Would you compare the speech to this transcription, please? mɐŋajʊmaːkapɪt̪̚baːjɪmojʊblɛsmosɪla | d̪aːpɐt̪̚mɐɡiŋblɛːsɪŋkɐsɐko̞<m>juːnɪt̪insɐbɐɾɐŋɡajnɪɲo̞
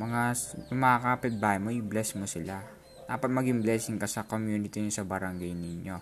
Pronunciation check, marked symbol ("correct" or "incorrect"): correct